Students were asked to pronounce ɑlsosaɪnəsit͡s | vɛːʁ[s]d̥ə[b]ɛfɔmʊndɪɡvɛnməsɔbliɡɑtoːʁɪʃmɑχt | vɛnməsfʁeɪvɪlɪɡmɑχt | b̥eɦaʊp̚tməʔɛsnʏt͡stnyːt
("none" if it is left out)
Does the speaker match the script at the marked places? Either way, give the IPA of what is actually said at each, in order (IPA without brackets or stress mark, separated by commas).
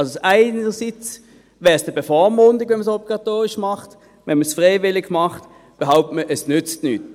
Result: s, b